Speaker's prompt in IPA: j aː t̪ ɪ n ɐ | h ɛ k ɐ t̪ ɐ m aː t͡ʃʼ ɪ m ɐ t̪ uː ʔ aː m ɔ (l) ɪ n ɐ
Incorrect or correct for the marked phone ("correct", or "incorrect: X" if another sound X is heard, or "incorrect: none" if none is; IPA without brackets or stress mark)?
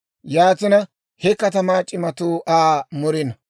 incorrect: ɾ